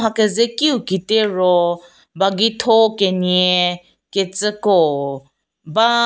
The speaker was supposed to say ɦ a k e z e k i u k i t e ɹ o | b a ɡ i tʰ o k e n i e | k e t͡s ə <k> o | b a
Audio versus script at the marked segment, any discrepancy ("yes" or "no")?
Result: no